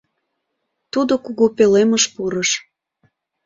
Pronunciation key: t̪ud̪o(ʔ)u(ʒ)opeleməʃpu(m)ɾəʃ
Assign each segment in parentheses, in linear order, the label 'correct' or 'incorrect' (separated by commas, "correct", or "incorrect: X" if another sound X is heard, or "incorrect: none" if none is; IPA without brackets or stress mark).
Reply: incorrect: k, incorrect: ɣ, incorrect: none